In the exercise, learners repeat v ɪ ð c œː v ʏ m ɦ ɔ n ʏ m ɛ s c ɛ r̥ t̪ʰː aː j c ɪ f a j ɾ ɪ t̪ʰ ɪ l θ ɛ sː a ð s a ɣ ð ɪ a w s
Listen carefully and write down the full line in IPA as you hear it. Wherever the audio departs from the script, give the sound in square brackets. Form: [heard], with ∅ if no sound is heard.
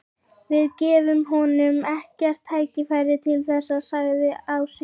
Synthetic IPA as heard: v ɪ ð c [ɛː] v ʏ m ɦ ɔ n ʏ m ɛ [h] c ɛ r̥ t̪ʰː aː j c ɪ f a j ɾ ɪ t̪ʰ ɪ l θ ɛ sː a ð s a ɣ ð ɪ a w s